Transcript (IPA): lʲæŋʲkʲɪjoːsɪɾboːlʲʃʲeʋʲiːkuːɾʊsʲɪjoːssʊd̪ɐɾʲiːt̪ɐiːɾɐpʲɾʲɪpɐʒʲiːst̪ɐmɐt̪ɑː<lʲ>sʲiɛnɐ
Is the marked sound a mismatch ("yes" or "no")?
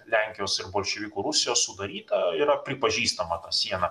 yes